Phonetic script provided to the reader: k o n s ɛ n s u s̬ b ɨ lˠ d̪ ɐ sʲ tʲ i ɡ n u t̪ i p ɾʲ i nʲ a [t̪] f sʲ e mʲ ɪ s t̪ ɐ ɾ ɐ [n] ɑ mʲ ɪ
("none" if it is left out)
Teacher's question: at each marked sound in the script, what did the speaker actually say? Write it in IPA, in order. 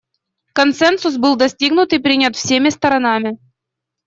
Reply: t̪, n

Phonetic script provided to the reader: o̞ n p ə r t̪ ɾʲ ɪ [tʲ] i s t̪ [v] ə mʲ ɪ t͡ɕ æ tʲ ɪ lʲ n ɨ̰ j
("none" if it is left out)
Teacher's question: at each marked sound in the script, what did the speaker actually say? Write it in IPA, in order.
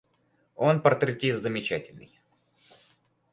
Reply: tʲ, z

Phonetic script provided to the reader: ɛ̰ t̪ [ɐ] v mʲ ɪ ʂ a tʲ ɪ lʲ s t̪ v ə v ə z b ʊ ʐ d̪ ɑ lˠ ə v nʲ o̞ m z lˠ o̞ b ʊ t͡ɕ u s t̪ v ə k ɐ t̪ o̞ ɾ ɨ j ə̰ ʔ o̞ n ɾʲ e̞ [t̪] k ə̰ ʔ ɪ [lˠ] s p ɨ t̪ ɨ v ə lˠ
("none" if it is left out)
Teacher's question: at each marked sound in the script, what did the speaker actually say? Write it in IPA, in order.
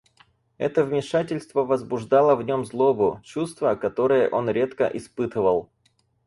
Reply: ə, t̪, none

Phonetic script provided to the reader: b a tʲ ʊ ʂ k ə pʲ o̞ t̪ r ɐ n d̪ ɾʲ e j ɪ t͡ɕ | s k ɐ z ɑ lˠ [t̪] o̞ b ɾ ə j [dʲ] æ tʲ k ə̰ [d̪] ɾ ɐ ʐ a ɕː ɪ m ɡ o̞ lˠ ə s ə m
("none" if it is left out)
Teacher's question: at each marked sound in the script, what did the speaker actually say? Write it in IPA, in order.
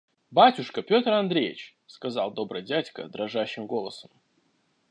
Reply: d̪, dʲ, d̪

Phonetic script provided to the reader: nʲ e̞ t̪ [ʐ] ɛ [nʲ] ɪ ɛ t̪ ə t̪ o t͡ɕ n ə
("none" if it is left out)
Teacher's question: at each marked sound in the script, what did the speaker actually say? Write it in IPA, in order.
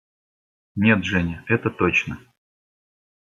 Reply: ʐ, nʲ

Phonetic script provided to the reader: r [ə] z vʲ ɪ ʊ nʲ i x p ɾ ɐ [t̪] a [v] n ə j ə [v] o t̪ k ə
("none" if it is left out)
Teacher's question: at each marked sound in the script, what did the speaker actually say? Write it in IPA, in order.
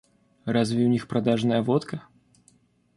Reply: a, d̪, ʐ, v

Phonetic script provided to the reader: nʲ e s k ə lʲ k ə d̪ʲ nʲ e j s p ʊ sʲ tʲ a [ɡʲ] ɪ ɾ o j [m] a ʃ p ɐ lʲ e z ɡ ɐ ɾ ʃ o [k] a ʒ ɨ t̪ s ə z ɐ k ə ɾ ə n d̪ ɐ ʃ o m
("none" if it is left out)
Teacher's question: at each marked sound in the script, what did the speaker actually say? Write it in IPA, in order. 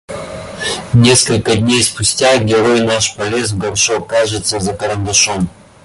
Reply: ɡʲ, n, k

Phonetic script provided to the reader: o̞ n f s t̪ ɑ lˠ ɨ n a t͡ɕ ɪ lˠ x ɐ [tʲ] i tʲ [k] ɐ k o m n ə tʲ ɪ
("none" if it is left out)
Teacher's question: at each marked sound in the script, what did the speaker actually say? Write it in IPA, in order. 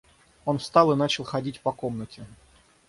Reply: dʲ, p

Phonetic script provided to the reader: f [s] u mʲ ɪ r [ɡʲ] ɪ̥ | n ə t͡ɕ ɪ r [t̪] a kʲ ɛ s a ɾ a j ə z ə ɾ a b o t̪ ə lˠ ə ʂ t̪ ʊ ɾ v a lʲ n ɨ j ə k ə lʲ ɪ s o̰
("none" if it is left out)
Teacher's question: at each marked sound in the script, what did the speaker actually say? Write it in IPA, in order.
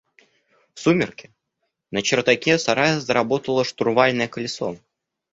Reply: s, kʲ, t̪

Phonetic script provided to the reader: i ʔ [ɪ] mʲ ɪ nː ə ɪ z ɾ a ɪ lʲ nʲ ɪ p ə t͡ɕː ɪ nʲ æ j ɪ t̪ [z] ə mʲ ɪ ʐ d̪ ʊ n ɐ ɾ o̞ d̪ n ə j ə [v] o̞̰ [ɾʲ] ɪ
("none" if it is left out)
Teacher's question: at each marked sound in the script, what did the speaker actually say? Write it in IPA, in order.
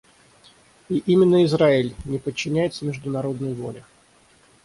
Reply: i, s, v, lʲ

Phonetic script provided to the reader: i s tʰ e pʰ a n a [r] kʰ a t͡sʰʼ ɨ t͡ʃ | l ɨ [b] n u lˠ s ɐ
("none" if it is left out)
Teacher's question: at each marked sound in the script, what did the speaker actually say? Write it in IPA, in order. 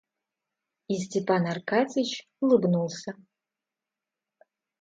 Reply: r, b

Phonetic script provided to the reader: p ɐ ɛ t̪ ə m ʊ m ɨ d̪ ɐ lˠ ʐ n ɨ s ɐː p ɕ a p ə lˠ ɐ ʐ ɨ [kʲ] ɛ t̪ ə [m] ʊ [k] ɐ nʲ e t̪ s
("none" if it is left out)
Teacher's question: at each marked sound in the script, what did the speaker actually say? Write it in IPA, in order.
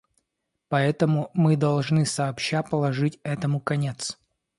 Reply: tʲ, m, k

